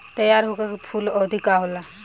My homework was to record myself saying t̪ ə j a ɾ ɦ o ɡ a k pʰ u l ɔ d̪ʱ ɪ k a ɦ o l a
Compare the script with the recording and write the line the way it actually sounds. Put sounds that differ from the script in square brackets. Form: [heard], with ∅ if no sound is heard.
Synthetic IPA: t̪ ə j a ɾ ɦ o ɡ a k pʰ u l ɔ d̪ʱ [i] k a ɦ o l a